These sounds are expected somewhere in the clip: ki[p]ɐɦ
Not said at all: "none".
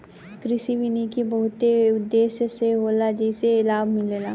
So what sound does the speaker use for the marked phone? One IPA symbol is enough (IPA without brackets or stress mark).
b